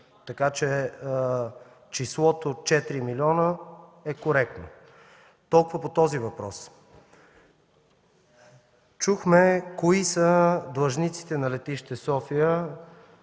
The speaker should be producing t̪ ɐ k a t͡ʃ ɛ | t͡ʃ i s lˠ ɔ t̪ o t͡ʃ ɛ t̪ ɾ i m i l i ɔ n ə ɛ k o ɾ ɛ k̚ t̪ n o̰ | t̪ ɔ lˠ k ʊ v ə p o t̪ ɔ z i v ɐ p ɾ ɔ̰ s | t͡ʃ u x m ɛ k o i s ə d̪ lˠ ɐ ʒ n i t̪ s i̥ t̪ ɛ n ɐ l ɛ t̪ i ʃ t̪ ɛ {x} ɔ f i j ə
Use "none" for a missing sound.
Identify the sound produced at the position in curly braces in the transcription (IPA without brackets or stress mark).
s